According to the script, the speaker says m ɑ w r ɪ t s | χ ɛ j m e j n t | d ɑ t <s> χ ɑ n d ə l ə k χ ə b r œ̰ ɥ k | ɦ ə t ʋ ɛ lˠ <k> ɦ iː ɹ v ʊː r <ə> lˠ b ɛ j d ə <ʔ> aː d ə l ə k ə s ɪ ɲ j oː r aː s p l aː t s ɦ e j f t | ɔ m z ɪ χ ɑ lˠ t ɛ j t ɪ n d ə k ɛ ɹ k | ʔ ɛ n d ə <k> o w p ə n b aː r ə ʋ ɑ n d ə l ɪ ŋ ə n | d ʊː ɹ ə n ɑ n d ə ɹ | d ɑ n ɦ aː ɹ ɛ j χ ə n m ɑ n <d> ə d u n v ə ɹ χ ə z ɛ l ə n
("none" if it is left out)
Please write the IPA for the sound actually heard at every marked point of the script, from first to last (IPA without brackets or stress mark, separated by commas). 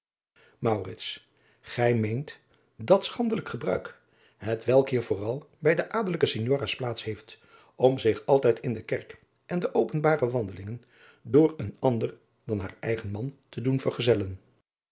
s, k, ɑ, ʔ, ʔ, t